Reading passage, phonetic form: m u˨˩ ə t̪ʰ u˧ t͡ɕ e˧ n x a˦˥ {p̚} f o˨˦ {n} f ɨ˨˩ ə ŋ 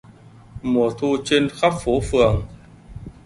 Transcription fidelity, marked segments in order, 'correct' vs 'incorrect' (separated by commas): correct, incorrect